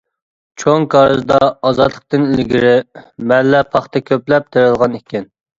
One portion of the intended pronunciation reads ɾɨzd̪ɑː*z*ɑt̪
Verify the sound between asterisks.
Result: correct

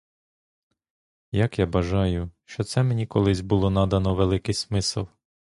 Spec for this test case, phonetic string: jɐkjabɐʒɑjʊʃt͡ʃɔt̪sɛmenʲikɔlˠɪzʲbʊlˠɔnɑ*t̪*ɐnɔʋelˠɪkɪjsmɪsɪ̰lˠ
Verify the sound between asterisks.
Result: incorrect: d̪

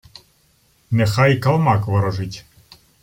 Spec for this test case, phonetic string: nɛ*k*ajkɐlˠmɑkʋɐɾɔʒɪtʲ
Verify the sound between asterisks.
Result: incorrect: x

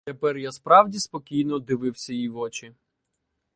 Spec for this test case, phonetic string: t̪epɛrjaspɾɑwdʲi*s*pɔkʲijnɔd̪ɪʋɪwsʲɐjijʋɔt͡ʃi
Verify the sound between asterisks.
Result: correct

